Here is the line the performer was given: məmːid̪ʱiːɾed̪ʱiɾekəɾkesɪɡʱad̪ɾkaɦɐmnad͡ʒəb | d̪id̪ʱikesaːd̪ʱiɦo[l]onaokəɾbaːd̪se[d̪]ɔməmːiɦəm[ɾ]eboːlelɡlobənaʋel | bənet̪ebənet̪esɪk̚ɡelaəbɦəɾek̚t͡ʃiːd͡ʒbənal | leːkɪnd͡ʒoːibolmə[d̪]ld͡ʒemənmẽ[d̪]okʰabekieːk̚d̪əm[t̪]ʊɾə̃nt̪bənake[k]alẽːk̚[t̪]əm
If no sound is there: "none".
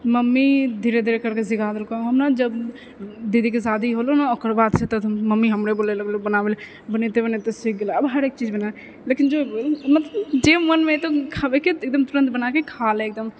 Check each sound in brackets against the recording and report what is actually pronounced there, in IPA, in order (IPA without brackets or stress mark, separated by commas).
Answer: l, t̪, ɾ, t̪, t̪, t̪, kʰ, d̪